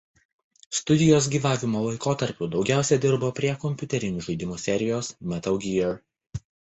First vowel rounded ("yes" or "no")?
yes